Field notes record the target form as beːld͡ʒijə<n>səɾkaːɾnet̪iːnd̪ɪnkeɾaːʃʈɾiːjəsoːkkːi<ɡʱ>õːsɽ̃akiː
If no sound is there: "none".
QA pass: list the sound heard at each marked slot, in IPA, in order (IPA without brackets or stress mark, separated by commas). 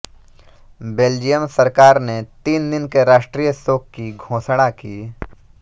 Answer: m, ɡʱ